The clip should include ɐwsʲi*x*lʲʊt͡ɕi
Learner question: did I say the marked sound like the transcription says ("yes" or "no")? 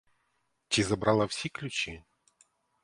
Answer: no